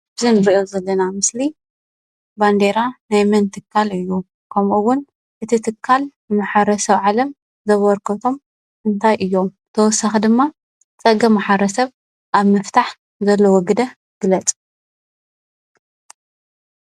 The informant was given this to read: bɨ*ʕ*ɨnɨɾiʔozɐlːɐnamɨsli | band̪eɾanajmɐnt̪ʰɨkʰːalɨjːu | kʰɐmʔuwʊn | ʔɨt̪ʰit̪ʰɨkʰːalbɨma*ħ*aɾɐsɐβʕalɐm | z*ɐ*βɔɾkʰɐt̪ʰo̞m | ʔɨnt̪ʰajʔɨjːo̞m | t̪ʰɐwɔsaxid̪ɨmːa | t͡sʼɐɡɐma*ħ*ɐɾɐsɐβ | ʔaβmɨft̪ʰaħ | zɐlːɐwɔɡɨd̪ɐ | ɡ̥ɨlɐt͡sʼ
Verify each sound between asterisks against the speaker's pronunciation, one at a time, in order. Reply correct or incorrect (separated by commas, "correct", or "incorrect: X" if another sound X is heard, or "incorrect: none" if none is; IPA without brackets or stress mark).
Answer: incorrect: z, correct, correct, correct